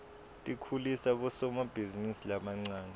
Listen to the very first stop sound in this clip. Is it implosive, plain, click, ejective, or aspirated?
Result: ejective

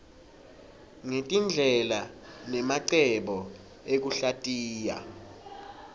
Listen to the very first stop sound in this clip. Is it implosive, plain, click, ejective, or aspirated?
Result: ejective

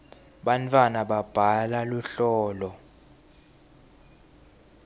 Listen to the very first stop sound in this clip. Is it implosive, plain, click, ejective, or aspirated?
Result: implosive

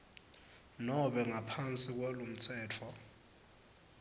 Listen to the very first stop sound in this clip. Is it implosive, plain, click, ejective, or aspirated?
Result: implosive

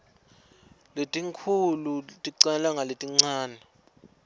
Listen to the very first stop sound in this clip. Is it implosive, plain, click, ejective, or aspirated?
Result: ejective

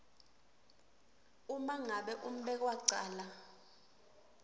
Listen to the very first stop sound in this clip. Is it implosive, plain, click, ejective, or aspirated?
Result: implosive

